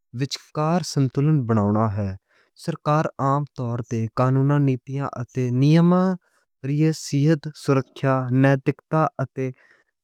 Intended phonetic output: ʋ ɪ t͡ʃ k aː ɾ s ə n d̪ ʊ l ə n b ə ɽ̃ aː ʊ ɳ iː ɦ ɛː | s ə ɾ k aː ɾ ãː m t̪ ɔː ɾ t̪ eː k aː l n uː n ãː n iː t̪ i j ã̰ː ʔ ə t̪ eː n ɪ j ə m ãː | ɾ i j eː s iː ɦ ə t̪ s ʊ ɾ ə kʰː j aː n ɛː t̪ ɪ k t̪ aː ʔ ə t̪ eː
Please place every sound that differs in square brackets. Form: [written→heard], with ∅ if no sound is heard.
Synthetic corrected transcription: ʋ ɪ t͡ʃ k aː ɾ s ə n [d̪→t̪] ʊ l ə n b ə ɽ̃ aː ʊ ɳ [iː→aː] ɦ ɛː | s ə ɾ k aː ɾ [ãː→aː] m t̪ ɔː ɾ t̪ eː k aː [l→∅] n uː n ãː n iː t̪ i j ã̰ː ʔ ə t̪ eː n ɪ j ə m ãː | ɾ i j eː s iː ɦ ə t̪ s ʊ ɾ ə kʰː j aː n ɛː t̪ ɪ k t̪ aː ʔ ə t̪ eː